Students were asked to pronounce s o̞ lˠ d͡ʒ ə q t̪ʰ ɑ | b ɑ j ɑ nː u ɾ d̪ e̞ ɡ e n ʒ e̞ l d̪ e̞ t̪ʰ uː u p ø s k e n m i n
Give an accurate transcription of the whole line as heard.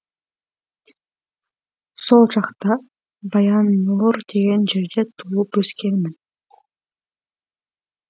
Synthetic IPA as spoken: s o̞ lˠ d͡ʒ ɑ q t̪ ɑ | b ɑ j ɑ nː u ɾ d̪ e̞ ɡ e n d͡ʒ e̞ ɾ d̪ e̞ t̪ʰ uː u p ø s k e n m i n